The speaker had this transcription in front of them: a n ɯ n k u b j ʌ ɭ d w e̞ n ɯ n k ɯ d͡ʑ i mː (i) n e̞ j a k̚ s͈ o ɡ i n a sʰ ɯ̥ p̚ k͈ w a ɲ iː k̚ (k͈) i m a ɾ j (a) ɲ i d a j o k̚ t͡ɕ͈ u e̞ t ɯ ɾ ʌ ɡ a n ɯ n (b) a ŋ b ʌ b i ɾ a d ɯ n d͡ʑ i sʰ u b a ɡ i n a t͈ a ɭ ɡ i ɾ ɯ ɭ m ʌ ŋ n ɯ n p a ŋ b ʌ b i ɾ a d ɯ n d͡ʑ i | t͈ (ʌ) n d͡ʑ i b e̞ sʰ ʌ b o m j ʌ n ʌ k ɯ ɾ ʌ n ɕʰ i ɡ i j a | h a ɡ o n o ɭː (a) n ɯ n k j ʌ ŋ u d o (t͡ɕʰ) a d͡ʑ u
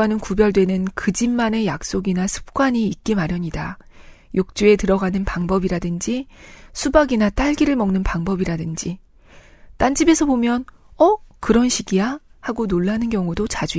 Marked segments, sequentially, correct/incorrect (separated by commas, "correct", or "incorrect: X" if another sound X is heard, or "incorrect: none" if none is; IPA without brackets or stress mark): incorrect: a, correct, incorrect: ʌ, incorrect: p, incorrect: a, correct, incorrect: t͡ɕ